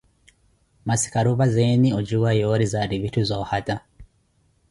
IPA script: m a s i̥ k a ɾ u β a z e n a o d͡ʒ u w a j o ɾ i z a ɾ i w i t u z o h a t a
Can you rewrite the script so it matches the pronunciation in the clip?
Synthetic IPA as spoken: m a s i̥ k a ɾ u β a z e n i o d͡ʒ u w a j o ɾ i z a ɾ i β i t u z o h a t a

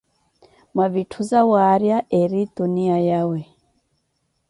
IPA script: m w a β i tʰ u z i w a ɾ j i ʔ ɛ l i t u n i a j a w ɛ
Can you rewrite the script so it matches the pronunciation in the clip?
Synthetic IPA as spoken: m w a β i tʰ u z a w a ɾ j a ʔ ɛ ɾ i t u n i a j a w ɛ

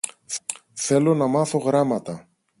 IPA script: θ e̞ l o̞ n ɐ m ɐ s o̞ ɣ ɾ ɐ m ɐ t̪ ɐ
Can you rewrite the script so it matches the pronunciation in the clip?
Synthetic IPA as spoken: θ e̞ l o̞ n ɐ m ɐ θ o̞ ɣ ɾ ɐ m ɐ t̪ ɐ

